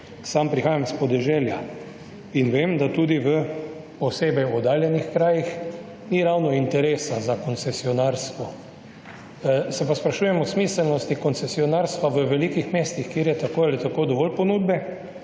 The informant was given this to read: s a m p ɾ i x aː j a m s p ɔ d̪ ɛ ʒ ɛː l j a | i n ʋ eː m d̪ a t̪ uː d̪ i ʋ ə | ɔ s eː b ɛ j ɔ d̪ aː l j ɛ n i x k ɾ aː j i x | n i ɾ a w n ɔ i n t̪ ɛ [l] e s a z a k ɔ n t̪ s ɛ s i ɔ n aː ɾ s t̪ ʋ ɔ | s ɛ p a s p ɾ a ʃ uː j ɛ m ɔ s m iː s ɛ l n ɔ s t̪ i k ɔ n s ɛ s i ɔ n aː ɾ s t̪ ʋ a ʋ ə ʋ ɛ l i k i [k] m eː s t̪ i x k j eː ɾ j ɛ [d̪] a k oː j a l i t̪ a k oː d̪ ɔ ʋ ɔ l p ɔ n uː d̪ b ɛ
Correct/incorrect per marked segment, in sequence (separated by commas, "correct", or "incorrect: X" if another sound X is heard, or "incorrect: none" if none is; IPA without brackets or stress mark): incorrect: ɾ, incorrect: x, incorrect: t̪